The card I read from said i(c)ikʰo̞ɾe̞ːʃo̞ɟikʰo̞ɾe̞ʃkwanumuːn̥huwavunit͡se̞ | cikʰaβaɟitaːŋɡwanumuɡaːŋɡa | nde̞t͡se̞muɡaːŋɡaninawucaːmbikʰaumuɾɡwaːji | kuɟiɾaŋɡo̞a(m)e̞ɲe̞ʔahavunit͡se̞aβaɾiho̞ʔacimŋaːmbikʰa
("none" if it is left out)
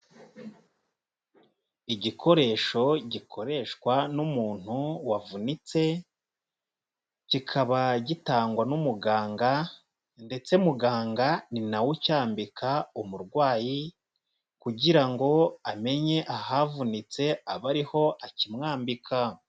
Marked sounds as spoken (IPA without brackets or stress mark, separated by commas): ɟ, m